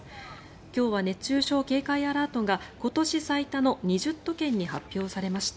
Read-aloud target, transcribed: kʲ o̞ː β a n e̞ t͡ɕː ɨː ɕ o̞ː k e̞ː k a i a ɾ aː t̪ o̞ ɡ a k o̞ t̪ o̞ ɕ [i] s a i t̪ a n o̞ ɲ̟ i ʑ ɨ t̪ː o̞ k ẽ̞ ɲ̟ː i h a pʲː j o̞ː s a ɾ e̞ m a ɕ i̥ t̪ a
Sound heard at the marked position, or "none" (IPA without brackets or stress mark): i